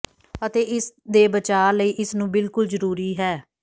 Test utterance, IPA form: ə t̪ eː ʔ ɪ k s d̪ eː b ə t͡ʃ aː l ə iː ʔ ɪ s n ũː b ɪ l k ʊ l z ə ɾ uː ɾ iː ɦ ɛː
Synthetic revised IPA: ə t̪ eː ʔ ɪ s d̪ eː b ə t͡ʃ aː l ə iː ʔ ɪ s n ũː b ɪ l k ʊ l z ə ɾ uː ɾ iː ɦ ɛː